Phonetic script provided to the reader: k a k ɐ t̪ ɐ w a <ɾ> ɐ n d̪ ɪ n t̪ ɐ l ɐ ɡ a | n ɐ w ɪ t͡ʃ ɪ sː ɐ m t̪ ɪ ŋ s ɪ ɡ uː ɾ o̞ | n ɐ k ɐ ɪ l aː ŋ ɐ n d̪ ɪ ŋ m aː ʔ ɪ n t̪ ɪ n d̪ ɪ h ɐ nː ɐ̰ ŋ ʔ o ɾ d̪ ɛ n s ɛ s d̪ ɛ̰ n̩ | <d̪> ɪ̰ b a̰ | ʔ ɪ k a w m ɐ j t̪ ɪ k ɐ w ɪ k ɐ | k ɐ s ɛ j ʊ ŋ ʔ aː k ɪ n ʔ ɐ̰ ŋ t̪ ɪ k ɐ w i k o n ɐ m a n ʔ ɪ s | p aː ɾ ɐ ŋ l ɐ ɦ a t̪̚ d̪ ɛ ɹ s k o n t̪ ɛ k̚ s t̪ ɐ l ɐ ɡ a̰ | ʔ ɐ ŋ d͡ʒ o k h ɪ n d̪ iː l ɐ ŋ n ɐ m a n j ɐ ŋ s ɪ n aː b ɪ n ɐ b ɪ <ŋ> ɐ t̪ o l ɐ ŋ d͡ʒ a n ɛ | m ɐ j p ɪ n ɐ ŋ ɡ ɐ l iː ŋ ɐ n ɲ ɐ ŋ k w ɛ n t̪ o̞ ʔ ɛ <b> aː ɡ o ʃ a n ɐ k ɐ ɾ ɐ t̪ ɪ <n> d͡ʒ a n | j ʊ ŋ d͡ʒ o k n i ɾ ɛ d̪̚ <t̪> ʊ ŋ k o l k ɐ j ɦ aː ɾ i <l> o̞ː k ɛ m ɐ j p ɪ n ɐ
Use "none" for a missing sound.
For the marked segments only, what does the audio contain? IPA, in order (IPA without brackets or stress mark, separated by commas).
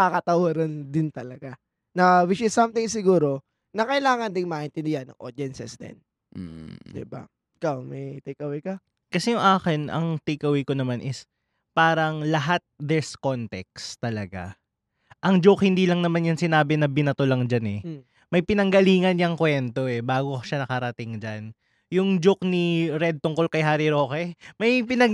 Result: ɾ, d̪, n, b, ŋ, t̪, ɾ